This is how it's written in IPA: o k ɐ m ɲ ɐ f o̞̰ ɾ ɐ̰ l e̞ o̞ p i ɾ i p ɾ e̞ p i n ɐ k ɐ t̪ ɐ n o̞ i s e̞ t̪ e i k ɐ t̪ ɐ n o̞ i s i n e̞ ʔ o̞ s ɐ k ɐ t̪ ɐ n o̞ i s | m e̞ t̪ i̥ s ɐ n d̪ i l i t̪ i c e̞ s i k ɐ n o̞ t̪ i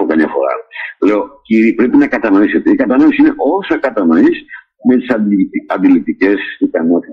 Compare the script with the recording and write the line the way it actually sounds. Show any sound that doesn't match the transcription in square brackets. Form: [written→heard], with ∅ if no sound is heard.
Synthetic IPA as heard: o k ɐ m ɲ ɐ f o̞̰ ɾ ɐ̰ l e̞ o̞ [p→c] i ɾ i p ɾ e̞ p i n ɐ k ɐ t̪ ɐ n o̞ i s e̞ t̪ e i k ɐ t̪ ɐ n o̞ i s i n e̞ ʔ o̞ s ɐ k ɐ t̪ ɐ n o̞ i s | m e̞ t̪ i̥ s ɐ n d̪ i l i t̪ i c e̞ s i k ɐ n o̞ t̪ i